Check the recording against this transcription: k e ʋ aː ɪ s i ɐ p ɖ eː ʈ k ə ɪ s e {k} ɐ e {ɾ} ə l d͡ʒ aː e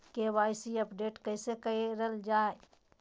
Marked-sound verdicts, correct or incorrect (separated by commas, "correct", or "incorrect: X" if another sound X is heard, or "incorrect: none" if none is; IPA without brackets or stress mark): correct, correct